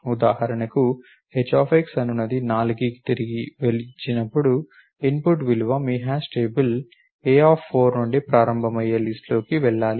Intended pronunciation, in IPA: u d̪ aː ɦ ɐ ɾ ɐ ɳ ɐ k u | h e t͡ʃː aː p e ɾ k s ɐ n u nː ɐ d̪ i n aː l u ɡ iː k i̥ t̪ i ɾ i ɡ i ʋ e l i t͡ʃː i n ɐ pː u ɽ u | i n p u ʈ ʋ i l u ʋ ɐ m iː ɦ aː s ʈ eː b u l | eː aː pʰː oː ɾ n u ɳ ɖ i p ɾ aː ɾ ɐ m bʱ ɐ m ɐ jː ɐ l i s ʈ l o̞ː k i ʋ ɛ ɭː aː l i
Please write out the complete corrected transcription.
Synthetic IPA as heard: u d̪ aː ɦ ɐ ɾ ɐ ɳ ɐ k u | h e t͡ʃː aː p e k s ɐ n u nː ɐ d̪ i n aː l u ɡ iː k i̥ t̪ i ɾ i ɡ i ʋ e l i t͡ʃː i n ɐ pː u ɽ u | i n p u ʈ ʋ i l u ʋ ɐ m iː ɦ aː s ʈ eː b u l | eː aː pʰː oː ɾ n u ɳ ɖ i p ɾ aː ɾ ɐ m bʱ ɐ m ɐ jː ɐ l i s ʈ l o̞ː k i ʋ ɛ ɭː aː l i